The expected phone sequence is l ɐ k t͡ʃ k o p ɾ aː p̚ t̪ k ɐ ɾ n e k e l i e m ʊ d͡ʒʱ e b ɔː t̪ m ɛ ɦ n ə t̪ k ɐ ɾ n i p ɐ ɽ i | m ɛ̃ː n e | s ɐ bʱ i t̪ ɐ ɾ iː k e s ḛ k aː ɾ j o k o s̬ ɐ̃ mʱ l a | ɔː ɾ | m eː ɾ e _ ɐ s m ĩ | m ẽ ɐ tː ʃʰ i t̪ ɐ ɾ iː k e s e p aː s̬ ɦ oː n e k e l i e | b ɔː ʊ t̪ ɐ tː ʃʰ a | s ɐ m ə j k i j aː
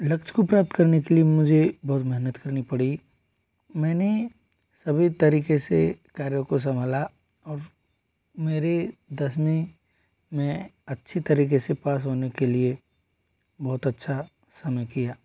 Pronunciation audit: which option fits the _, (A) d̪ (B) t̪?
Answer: A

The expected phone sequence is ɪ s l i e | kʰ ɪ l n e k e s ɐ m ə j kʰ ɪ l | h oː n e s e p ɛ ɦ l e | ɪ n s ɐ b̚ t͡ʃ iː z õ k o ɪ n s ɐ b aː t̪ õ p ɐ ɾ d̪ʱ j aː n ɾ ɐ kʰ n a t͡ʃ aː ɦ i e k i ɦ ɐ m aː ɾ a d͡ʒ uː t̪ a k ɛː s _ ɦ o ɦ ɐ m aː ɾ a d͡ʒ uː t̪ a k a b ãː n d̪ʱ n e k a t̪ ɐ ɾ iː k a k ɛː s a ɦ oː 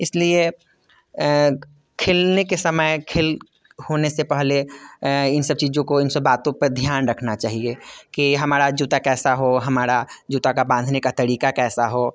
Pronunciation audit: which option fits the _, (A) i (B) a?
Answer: B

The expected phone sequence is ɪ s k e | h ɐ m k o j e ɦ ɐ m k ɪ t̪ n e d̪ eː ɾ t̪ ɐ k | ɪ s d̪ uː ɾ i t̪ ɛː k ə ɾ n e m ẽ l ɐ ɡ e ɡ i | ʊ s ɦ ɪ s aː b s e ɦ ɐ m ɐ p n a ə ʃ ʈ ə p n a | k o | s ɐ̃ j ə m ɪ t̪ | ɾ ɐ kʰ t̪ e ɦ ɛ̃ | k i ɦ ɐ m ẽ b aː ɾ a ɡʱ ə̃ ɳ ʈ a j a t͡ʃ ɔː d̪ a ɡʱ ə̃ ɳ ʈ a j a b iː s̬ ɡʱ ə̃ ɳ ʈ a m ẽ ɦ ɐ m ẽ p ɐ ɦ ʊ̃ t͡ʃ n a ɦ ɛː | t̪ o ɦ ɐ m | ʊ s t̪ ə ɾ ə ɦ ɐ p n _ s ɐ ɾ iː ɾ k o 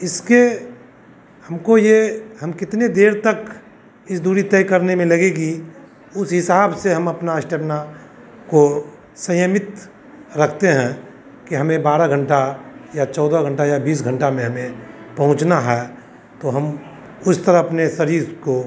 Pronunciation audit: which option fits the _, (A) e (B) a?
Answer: A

